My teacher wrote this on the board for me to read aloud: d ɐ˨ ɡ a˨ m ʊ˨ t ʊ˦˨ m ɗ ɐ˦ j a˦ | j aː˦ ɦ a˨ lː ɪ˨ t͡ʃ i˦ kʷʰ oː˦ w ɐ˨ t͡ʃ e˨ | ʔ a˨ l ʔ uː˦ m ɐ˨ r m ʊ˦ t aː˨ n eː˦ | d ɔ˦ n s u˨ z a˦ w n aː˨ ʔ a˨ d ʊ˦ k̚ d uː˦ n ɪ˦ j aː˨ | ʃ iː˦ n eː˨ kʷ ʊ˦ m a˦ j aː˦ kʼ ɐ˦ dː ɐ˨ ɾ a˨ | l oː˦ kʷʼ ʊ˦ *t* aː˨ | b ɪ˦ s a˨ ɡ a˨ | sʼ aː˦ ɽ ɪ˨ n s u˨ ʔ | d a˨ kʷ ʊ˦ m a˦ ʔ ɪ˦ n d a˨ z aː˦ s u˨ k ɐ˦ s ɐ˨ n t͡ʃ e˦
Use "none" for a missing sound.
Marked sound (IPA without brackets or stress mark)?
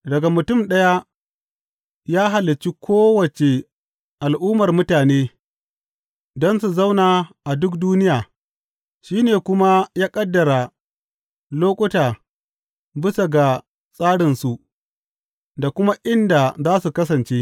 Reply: t